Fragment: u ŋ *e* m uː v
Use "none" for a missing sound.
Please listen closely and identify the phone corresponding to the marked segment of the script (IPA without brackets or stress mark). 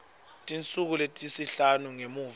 e